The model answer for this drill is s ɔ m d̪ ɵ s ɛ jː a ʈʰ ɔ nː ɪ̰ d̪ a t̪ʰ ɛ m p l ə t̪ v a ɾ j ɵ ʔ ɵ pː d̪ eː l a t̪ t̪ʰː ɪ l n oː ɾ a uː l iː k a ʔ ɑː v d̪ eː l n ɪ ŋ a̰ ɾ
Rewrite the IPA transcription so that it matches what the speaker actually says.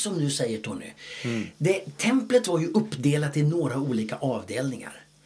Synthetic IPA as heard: s ɔ m d̪ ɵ s ɛ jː ə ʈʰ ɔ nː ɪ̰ d̪ ɛ t̪ʰ ɛ m p l ə t̪ v a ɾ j ɵ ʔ ɵ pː d̪ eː l a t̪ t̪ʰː ɪ l n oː ɾ a uː l iː k a ʔ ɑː v d̪ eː l n ɪ ŋ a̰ ɾ